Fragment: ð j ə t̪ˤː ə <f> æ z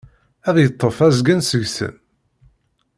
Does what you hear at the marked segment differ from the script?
no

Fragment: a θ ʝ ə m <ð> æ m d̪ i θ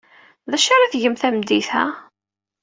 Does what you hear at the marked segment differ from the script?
yes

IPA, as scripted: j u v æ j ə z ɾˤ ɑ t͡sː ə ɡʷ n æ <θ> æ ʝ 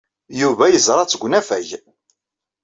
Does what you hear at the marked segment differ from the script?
yes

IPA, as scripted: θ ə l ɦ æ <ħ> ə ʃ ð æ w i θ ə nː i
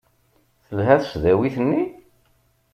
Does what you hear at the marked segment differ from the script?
yes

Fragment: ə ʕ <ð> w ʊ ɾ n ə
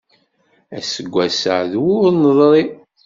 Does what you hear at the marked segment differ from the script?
no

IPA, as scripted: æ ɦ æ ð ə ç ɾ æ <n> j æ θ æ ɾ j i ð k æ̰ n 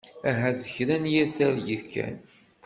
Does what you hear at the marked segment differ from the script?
no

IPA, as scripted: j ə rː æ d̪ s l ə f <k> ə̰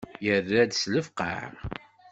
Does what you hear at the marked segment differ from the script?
yes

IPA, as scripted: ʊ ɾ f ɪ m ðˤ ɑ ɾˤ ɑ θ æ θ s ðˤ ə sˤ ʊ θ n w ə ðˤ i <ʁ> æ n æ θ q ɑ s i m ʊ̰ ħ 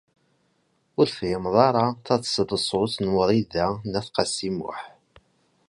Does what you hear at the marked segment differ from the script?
yes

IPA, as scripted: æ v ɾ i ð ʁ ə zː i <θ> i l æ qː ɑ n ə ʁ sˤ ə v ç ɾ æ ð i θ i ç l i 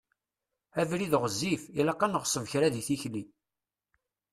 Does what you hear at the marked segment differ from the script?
yes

